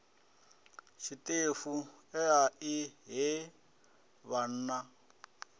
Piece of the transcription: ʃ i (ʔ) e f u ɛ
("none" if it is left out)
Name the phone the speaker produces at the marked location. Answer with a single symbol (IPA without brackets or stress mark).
t